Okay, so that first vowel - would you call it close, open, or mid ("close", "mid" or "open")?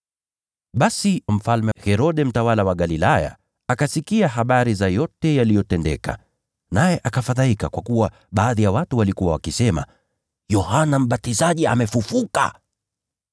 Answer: open